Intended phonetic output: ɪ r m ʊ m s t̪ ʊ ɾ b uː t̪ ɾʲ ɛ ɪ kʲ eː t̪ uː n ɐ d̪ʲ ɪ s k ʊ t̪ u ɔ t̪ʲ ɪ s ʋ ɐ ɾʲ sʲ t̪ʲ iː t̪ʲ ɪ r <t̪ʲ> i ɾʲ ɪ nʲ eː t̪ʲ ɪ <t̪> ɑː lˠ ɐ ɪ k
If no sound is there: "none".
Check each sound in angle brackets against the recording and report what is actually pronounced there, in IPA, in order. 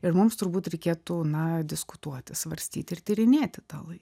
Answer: t̪ʲ, t̪

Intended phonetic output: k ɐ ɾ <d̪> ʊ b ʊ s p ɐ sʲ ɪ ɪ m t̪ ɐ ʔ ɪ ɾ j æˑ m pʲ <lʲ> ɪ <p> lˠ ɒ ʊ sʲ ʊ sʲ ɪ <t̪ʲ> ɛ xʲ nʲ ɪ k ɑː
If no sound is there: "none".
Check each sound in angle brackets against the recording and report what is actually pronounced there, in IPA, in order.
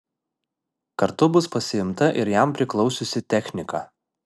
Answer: t̪, ɾʲ, k, t̪ʲ

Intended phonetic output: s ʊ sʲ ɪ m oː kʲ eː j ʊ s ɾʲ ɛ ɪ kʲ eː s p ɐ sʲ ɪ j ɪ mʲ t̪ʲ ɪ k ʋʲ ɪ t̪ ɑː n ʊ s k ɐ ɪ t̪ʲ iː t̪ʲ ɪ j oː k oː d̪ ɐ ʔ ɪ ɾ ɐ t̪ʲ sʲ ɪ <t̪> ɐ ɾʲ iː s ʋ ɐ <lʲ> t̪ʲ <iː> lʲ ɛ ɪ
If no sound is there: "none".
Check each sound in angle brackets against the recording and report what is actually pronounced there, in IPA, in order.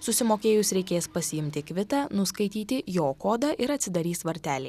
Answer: d̪, ɾʲ, æː

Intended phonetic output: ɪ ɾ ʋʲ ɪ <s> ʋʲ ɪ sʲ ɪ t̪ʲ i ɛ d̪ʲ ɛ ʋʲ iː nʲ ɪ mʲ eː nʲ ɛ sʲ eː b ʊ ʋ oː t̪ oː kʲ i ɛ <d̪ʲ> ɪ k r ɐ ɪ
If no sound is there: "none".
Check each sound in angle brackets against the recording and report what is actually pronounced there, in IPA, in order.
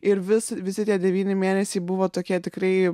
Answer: s, t̪ʲ

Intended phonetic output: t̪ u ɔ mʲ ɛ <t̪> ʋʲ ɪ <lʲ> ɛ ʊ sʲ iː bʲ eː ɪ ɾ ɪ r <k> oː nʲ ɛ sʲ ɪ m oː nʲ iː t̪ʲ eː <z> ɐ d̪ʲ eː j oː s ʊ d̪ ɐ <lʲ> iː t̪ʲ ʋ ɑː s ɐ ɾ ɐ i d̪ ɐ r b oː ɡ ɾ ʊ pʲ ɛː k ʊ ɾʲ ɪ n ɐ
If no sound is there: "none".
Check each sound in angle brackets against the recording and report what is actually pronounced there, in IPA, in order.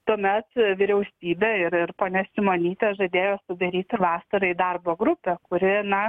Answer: t̪, ɾʲ, p, ʒ, ɾʲ

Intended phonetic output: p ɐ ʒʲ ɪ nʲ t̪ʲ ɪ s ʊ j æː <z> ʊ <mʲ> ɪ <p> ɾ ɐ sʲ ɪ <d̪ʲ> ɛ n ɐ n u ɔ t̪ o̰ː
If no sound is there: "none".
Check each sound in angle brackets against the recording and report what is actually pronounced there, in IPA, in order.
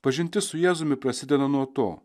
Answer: z, mʲ, p, d̪ʲ

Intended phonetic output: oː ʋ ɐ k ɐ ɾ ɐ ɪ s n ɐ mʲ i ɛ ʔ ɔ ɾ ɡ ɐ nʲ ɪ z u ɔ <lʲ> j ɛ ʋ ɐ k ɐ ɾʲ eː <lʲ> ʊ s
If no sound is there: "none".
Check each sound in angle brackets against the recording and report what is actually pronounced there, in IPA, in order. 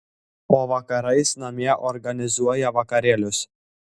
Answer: none, lʲ

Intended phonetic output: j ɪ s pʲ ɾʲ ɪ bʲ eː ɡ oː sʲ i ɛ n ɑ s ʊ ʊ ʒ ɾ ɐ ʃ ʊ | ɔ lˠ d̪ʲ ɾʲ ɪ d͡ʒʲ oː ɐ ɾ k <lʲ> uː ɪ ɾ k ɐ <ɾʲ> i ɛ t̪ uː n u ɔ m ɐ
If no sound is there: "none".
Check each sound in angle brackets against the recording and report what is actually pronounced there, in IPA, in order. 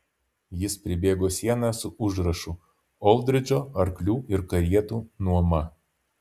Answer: lʲ, ɾʲ

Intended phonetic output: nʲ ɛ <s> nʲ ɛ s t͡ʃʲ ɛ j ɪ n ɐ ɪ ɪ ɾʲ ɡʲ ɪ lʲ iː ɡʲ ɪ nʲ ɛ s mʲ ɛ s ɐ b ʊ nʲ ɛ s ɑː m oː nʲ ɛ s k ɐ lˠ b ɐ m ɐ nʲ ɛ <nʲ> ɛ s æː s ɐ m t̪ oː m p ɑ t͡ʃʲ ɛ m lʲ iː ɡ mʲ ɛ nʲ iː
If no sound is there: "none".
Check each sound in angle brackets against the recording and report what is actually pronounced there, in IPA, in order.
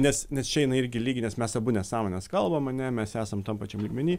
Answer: s, mʲ

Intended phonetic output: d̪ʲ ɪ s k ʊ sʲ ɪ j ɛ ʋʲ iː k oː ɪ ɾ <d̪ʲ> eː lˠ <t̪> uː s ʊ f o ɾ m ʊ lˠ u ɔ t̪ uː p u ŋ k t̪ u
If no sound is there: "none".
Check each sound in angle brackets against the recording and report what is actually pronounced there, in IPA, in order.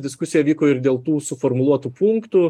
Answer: d̪ʲ, t̪

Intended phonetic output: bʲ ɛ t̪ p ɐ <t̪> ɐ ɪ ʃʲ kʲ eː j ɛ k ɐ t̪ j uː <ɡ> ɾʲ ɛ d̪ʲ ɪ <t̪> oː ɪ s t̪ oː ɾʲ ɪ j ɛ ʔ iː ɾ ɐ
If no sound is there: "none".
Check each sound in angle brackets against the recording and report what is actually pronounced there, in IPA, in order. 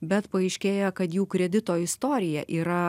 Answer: none, k, t̪

